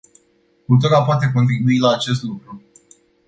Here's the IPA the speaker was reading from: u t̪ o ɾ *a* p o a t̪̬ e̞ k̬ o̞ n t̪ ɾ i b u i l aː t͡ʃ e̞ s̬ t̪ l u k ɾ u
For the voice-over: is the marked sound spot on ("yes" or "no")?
yes